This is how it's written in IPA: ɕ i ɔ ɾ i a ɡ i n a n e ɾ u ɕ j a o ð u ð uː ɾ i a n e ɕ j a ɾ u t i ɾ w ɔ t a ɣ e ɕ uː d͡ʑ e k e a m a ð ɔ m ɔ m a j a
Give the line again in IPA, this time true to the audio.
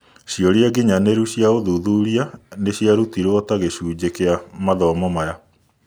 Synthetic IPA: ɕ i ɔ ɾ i a ɡ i ɲ a n e ɾ u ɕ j a o ð u ð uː ɾ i a n e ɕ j a ɾ u t i ɾ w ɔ t a ɣ e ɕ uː d͡ʑ e k e a m a ð ɔ m ɔ m a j a